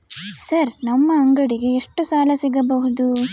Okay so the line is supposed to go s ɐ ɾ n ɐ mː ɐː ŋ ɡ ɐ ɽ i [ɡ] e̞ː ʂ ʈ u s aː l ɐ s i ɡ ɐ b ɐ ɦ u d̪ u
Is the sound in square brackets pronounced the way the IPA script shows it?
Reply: yes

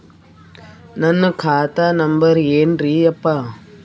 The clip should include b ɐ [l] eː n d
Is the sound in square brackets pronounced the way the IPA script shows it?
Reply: no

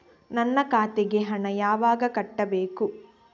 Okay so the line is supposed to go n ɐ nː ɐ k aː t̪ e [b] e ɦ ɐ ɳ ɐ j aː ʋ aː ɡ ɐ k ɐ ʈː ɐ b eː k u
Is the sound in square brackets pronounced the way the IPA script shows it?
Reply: no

